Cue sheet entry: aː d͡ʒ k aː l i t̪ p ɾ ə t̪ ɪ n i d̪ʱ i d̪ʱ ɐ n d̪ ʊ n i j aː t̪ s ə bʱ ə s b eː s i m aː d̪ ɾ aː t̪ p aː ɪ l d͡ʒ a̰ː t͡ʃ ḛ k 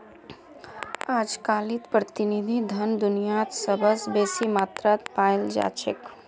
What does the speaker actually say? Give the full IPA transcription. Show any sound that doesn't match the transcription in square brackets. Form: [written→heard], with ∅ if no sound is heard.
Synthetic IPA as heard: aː d͡ʒ k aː l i t̪ p ɾ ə t̪ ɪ n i d̪ʱ i d̪ʱ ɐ n d̪ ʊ n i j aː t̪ s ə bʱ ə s b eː s i m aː [d̪→t̪] ɾ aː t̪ p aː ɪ l d͡ʒ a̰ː t͡ʃ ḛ k

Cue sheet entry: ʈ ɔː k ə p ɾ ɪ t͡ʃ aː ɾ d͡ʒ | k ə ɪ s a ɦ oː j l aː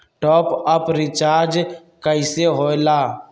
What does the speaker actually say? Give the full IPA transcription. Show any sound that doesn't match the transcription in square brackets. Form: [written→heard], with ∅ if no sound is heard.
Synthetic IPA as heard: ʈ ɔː [k→p] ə p ɾ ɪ t͡ʃ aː ɾ d͡ʒ | k ə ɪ s [a→e] ɦ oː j l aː

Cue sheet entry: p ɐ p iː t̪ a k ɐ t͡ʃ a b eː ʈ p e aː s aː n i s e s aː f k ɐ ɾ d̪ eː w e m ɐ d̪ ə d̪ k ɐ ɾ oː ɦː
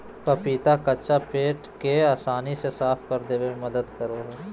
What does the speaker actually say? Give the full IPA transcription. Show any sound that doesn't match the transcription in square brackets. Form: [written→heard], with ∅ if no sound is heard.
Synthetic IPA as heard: p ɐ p iː t̪ a k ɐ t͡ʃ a [b→p] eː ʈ [p→k] e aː s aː n i s e s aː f k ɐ ɾ d̪ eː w e m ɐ d̪ ə d̪ k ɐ ɾ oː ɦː

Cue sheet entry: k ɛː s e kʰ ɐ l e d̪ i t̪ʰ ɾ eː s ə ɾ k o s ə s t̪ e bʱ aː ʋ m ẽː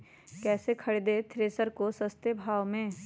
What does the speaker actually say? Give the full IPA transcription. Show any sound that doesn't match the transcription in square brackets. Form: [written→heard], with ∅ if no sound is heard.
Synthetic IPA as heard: k ɛː s e kʰ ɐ [l→ɽ] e d̪ [i→e] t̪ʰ ɾ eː s ə ɾ k o s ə s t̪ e bʱ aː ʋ m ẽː

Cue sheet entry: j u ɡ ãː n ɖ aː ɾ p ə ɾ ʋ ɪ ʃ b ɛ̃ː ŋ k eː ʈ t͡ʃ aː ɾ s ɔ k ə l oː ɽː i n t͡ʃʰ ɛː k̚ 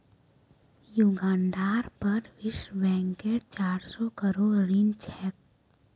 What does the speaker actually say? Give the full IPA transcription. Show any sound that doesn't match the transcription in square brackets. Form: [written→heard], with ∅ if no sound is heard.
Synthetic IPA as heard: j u ɡ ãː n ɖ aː ɾ p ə ɾ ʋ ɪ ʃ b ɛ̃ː ŋ k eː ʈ t͡ʃ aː ɾ s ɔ k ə [l→ɾ] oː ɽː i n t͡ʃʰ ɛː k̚

